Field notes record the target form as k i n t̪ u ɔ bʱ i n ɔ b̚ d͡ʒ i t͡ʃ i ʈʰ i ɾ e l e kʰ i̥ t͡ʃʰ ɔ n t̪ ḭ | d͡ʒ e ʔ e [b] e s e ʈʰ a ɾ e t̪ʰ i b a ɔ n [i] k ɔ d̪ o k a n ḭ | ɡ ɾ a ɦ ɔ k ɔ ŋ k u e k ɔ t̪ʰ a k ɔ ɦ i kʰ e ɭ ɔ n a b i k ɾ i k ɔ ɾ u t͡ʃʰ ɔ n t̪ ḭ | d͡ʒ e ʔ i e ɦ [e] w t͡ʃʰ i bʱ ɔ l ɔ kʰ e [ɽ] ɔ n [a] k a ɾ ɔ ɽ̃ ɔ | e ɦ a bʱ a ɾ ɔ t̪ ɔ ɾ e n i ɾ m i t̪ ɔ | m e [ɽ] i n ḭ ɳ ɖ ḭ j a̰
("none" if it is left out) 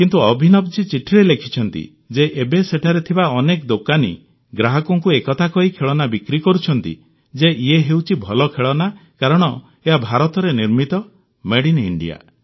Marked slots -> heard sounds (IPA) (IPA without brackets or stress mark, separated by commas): b, e, e, ɭ, a, ɽ